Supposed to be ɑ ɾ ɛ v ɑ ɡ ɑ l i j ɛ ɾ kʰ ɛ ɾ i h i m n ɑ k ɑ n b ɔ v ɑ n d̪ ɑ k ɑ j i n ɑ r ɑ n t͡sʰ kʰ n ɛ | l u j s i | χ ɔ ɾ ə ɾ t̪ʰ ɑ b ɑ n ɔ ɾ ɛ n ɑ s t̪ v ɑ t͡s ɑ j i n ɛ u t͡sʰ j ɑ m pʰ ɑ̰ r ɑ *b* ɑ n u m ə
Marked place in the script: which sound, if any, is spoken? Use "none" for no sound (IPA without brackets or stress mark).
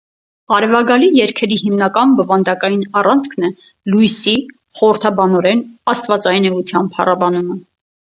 b